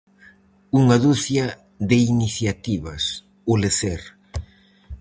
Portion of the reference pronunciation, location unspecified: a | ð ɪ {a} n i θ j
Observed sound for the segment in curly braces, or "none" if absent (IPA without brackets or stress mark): i